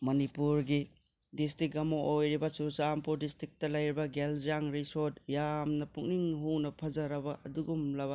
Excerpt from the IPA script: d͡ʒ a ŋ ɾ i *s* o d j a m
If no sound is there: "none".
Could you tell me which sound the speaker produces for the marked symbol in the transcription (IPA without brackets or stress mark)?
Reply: s